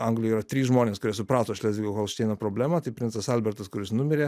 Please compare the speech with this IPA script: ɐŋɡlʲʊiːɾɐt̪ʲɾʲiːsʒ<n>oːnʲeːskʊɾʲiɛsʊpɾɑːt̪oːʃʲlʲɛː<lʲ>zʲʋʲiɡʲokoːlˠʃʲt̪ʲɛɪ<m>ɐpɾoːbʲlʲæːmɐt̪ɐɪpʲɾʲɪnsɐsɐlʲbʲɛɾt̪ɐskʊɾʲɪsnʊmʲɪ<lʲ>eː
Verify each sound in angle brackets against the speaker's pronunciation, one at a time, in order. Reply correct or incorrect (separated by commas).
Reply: incorrect, incorrect, incorrect, incorrect